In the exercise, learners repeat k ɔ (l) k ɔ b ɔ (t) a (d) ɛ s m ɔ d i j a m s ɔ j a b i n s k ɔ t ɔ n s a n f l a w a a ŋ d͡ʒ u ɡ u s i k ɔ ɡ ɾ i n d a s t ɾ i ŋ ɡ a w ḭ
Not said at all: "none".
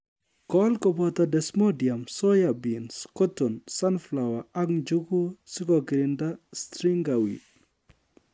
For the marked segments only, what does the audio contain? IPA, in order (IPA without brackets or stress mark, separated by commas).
l, t, d